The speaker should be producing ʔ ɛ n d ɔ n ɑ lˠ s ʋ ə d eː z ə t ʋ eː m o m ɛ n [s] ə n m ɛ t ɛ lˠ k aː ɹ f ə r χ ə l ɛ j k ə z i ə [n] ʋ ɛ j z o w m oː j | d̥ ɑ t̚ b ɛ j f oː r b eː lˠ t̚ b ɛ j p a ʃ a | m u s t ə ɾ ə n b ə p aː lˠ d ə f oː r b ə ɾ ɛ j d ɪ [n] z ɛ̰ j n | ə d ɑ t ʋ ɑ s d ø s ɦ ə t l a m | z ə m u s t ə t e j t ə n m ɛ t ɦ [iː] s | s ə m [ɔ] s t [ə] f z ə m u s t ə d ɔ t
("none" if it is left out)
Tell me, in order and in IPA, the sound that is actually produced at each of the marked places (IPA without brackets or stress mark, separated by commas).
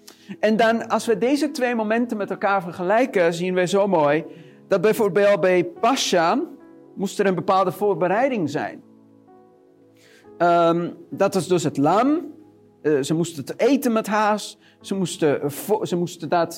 t, n, ŋ, aː, u, ə